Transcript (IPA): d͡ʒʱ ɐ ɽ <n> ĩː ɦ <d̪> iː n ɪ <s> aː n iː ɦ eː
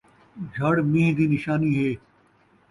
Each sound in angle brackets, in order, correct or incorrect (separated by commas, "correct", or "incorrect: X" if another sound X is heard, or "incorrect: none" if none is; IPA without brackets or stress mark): incorrect: m, correct, incorrect: ʃ